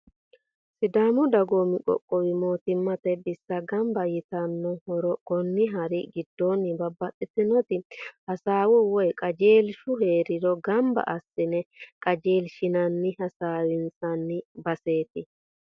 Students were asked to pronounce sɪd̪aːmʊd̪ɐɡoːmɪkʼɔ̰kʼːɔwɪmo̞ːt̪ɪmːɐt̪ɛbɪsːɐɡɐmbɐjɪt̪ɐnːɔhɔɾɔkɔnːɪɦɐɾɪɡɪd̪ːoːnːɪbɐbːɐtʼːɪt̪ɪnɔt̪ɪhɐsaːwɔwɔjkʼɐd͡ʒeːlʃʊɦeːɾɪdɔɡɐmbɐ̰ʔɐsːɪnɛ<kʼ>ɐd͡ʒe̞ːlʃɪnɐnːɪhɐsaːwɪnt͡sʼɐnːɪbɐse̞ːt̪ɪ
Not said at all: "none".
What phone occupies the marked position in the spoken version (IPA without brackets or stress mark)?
kʼ